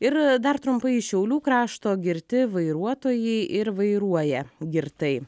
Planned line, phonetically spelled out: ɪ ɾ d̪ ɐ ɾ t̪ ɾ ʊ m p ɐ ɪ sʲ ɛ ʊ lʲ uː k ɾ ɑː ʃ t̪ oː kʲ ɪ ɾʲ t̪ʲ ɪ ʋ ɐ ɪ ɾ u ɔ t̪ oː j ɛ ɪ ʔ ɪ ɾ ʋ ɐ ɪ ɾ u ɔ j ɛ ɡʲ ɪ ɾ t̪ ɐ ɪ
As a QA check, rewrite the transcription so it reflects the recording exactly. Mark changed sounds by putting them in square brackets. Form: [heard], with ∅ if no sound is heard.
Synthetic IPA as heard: ɪ ɾ d̪ ɐ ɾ t̪ ɾ ʊ m p ɐ ɪ [ʃʲ] ɛ ʊ lʲ uː k ɾ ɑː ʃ t̪ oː [ɡʲ] ɪ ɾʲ t̪ʲ ɪ ʋ ɐ ɪ ɾ u ɔ t̪ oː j ɛ ɪ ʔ ɪ ɾ ʋ ɐ ɪ ɾ u ɔ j ɛ ɡʲ ɪ ɾ t̪ ɐ ɪ